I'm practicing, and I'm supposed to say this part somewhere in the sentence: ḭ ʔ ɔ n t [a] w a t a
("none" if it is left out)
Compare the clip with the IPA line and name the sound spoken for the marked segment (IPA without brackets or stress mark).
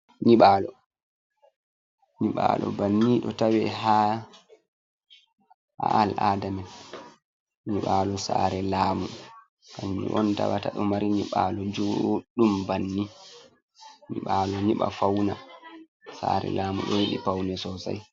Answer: a